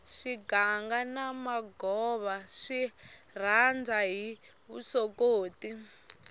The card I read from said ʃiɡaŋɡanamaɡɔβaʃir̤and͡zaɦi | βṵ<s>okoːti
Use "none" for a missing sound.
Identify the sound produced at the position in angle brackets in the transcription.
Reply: s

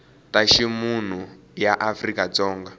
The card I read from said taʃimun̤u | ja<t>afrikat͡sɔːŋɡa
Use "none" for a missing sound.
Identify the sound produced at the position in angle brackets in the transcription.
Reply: ʔ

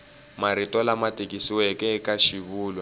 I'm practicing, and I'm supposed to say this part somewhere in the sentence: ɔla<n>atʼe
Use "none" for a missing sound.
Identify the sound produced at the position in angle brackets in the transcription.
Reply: m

